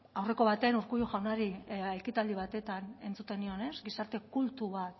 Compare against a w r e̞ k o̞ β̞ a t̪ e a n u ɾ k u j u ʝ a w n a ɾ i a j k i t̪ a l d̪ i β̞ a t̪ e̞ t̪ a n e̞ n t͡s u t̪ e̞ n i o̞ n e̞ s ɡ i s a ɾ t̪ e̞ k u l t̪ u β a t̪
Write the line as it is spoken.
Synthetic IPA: a w r e̞ k o̞ β̞ a t̪ e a n u ɾ k u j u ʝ a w n a ɾ i a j k i t̪ a l d̪ i β̞ a t̪ e̞ t̪ a n e̞ n t͡s u t̪ e̞ n i o̞ n e̞ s ɡ i s a ɾ t̪ e̞ k u l t̪ u β a t̪